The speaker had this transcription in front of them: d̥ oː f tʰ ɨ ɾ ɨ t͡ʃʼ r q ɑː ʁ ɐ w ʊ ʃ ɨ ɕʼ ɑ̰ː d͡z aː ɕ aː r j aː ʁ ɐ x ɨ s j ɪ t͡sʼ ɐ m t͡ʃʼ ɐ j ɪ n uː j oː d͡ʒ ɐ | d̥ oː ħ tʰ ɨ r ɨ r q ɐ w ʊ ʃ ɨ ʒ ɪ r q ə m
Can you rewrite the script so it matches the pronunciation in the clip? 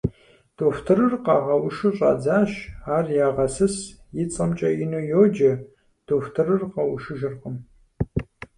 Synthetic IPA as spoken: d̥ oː f tʰ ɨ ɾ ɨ r q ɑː ʁ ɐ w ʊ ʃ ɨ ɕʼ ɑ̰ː d͡z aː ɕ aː r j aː ʁ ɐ s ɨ s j ɪ t͡sʼ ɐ m t͡ʃʼ ɐ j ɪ n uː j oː d͡ʒ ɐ | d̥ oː f tʰ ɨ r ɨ r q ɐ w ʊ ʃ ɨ ʒ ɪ r q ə m

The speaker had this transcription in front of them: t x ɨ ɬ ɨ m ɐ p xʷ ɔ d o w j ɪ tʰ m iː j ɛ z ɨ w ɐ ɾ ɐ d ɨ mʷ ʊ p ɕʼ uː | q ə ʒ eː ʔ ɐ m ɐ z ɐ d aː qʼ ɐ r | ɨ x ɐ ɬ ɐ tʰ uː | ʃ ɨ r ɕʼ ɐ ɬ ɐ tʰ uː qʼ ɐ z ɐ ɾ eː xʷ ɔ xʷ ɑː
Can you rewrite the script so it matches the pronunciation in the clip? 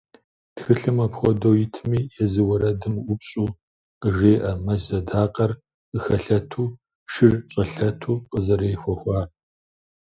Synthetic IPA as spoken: t x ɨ ɬ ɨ m ɐ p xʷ ɔ d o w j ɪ tʰ m iː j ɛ z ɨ w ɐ ɾ ɐ d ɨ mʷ ʊ p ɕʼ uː | q ə ʒ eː ʔ ɐ m ɐ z ɐ d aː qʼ ɐ r | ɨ x ɐ ɬ ɐ tʰ uː | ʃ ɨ r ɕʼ ɐ ɬ ɐ tʰ uː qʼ ə z ɐ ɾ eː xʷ ɔ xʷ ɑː

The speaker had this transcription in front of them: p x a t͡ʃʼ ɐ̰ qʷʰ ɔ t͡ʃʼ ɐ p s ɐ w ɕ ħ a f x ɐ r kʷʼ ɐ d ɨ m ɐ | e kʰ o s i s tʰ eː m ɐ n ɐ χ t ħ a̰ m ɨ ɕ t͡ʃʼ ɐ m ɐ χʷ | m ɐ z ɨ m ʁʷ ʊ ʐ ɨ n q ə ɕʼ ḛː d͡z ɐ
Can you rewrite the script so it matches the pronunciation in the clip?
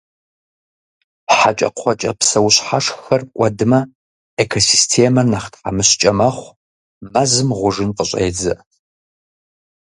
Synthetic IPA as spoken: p ħ a t͡ʃʼ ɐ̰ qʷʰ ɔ t͡ʃʼ ɐ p s ɐ w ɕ ħ a ʂ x ɐ r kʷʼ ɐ d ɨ m ɐ | e kʰ o s i s tʰ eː m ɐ n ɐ χ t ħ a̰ m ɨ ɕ t͡ʃʼ ɐ m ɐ χʷ | m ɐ z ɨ m ʁʷ ʊ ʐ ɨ n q ə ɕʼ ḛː d͡z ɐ

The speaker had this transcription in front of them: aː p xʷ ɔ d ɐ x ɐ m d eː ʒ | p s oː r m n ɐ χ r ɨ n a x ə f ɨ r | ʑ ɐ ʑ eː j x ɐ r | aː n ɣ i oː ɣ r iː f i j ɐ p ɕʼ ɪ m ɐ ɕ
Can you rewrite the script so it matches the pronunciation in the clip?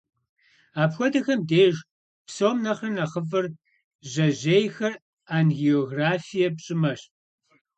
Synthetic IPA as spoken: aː p xʷ ɔ d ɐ x ɐ m d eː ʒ | p s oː m n ɐ χ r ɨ n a χ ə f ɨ r | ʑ ɐ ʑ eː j x ɐ r | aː n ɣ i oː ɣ r aː f i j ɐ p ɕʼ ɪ m ɐ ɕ

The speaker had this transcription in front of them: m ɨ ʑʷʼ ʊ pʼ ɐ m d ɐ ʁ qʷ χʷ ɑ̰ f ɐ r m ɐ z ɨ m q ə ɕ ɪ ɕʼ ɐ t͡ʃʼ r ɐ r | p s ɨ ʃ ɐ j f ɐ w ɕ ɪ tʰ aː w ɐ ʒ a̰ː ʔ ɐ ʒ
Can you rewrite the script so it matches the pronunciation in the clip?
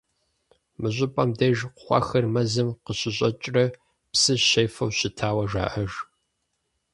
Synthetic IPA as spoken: m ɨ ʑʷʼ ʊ pʼ ɐ m d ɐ ʒ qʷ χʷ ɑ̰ x ɐ r m ɐ z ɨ m q ə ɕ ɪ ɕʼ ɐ t͡ʃʼ r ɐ | p s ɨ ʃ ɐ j f ɐ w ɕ ɪ tʰ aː w ɐ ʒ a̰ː ʔ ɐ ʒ

